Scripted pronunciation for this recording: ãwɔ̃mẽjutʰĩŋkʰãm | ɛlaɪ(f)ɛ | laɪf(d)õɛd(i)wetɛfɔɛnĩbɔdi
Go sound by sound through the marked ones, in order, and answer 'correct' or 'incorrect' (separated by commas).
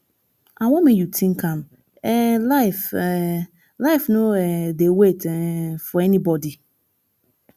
correct, incorrect, incorrect